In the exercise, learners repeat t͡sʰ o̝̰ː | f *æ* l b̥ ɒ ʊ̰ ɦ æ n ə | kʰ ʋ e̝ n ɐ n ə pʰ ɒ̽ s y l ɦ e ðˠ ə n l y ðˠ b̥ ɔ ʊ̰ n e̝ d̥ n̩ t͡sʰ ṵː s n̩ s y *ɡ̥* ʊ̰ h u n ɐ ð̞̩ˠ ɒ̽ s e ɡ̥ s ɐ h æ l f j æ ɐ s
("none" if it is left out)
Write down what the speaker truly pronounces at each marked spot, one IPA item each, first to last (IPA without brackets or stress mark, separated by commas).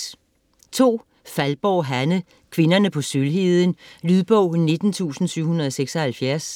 æ, none